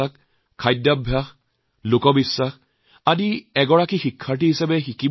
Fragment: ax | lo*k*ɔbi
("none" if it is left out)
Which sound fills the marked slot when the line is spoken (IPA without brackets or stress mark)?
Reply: k